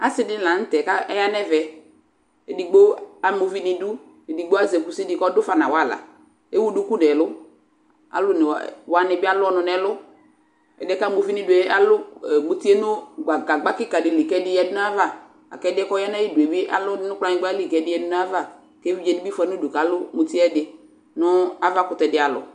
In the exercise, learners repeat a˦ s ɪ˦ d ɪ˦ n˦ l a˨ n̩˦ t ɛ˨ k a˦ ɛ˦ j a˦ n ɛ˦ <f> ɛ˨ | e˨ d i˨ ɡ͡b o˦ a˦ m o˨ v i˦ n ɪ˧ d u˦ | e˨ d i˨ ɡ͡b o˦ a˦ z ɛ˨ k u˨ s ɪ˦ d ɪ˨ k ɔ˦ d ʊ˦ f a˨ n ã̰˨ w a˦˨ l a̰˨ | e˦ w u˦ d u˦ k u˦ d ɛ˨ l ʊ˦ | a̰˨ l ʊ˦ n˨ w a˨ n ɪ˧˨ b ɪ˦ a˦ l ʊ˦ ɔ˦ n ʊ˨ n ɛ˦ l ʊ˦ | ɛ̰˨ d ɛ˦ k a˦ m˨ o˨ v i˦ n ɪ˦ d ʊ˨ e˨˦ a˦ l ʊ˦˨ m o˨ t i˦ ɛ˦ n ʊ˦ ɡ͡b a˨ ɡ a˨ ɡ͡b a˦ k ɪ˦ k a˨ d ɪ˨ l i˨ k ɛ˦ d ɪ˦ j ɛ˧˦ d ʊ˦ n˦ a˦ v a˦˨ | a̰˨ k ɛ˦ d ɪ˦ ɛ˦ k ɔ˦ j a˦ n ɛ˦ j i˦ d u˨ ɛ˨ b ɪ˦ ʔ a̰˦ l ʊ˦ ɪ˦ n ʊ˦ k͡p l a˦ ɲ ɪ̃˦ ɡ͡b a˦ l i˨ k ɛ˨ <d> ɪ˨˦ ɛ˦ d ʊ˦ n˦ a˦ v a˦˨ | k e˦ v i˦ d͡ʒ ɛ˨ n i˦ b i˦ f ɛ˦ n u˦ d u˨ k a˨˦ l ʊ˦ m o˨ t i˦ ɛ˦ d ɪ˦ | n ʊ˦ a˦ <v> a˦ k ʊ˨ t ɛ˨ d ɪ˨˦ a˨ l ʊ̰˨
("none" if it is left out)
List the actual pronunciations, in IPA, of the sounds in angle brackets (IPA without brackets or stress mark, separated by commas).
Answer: v, d, v